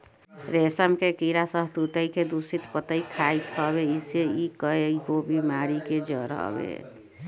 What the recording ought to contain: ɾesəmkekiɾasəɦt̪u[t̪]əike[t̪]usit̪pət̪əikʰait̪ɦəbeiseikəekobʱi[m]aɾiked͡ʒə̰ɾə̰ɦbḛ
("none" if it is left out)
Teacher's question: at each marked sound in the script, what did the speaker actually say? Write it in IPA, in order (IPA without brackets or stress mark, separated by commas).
t̪, d̪, m